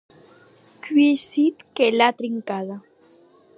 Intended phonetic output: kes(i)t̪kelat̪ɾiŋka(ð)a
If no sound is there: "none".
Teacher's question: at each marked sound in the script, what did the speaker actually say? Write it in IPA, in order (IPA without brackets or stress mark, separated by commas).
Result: i, ð